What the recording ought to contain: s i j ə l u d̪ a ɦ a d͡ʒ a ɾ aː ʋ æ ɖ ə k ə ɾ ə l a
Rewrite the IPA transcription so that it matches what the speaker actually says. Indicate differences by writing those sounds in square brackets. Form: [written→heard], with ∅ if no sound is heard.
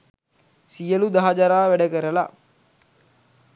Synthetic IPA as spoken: s i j ə l u d̪ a ɦ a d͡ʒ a ɾ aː ʋ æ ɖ ə k ə ɾ ə l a

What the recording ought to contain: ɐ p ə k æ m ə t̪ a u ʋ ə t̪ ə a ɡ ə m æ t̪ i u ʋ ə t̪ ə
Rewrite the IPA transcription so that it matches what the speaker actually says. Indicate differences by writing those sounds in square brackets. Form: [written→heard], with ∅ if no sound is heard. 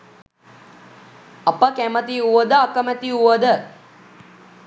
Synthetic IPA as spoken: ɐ p ə k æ m ə t̪ [a→i] u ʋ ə [t̪→d̪] ə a [ɡ→k] ə m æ t̪ i u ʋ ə [t̪→d̪] ə

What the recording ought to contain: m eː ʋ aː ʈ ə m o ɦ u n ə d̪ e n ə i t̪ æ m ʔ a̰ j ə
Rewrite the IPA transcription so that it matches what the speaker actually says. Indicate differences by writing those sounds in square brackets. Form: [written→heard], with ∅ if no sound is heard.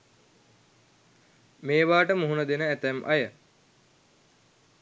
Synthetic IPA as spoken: m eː ʋ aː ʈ ə m [o→u] ɦ u n ə d̪ e n ə [i→æ] t̪ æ m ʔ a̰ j ə

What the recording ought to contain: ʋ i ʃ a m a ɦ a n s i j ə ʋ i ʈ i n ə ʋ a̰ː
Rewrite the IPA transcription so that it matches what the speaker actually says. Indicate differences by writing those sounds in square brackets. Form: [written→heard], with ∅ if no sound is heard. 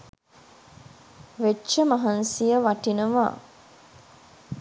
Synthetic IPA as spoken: ʋ [i→e] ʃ [a→ə] m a ɦ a n s i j ə ʋ [i→a] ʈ i n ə ʋ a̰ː

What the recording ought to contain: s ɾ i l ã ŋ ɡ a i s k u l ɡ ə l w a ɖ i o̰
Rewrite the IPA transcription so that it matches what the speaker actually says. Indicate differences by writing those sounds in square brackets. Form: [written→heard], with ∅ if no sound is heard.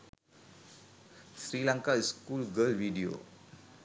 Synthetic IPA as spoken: s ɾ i l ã ŋ [ɡ→k] a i s k u l ɡ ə l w [a→i] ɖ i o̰

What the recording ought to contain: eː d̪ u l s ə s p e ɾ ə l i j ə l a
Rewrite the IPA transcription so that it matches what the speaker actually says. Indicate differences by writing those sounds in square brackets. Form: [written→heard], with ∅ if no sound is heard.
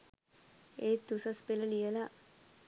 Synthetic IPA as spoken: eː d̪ u [l→∅] s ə s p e [ɾ→l] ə l i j ə l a

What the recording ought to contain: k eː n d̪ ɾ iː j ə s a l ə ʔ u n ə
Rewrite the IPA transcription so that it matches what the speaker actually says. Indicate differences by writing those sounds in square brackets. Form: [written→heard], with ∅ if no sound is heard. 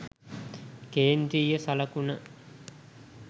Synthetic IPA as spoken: k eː n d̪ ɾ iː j ə s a l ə [ʔ→k] u n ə

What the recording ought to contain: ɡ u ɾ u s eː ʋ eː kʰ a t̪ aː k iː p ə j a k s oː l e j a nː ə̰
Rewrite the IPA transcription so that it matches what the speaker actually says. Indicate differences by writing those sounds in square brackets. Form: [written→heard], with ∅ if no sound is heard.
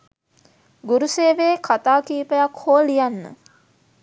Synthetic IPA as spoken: ɡ u ɾ u s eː ʋ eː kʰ a t̪ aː k iː p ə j a k [s→h] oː l [e→i] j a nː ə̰

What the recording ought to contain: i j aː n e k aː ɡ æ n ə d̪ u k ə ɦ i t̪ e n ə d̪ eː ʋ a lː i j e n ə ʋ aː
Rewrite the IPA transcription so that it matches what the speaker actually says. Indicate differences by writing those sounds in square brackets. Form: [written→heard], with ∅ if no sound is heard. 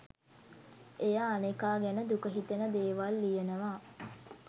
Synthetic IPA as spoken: [i→e] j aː n e k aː ɡ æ n ə d̪ u k ə ɦ i t̪ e n ə d̪ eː ʋ a lː i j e n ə ʋ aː

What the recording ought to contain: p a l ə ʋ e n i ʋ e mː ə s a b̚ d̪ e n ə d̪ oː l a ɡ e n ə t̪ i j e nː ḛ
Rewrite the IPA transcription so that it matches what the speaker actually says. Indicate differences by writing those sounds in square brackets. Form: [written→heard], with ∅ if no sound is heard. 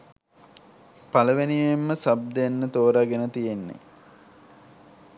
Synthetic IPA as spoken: p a l ə ʋ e n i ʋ e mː ə s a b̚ d̪ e [n→nː] ə [d̪→t̪] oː [l→ɾ] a ɡ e n ə t̪ i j e nː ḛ

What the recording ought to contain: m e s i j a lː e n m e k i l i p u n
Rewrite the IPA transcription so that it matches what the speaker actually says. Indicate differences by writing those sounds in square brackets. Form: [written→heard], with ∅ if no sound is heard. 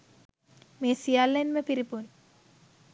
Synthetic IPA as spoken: m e s i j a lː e n m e [k→p] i [l→ɾ] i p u n

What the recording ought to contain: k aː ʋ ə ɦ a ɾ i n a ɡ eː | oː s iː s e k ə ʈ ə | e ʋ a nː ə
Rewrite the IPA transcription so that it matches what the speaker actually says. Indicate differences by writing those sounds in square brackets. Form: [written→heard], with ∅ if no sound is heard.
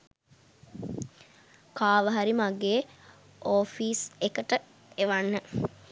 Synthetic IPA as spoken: k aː ʋ ə ɦ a ɾ i [n→m] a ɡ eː | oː [s→f] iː s e k ə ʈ ə | e ʋ a nː ə

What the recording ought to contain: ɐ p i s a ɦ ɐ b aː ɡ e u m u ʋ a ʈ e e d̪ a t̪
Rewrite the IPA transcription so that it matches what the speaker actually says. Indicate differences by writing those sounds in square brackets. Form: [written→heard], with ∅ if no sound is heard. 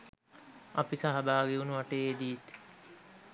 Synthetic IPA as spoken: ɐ p i s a ɦ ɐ b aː ɡ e u [m→n] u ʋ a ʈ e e d̪ [a→i] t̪

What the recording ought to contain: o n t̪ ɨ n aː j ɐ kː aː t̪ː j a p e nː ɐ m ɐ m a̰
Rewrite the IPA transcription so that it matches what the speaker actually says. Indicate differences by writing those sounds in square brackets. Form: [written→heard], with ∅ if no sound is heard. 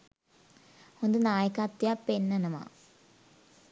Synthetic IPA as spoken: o n [t̪→d̪] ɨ n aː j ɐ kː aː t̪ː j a p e nː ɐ [m→n] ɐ m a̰

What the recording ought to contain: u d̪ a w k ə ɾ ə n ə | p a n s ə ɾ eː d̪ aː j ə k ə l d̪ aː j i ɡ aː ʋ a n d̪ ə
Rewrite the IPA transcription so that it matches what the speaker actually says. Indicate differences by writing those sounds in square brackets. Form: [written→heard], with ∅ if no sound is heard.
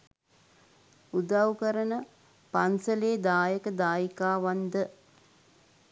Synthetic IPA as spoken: u d̪ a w k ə ɾ ə n ə | p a n s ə [ɾ→l] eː d̪ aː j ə k ə [l→∅] d̪ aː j i [ɡ→k] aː ʋ a n d̪ ə

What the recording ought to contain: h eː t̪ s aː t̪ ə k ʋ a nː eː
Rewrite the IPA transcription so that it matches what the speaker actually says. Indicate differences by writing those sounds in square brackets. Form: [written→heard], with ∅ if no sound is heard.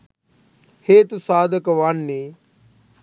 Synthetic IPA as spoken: h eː t̪ s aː [t̪→d̪] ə k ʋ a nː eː

